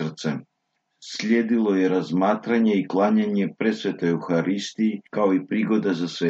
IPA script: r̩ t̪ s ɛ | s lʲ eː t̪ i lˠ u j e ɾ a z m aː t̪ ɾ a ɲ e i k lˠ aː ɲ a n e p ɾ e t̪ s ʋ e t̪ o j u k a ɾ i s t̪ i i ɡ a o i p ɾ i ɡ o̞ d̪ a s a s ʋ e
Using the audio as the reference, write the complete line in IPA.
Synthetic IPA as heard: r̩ t̪ s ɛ | s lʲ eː d̪ i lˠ o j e ɾ a z m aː t̪ ɾ a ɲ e i k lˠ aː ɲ a ɲ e p ɾ e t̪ s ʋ e t̪ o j u x a ɾ i s t̪ i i k a o i p ɾ i ɡ o̞ d̪ a z a s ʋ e